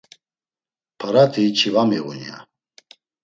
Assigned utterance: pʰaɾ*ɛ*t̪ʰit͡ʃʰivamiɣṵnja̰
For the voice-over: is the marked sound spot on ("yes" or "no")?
no